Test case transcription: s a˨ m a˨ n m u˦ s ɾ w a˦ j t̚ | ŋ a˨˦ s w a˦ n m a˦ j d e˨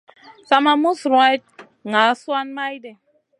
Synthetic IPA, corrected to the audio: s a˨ m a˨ m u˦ s ɾ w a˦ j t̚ | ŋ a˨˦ s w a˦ n m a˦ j d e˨